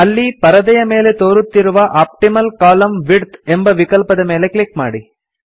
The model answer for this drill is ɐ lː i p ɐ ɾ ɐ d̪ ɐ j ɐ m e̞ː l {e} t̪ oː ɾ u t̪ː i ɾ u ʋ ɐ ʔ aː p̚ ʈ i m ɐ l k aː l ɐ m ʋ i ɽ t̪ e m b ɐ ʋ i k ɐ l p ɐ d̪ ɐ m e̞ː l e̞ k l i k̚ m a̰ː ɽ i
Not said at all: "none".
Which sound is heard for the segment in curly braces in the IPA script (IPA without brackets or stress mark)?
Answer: e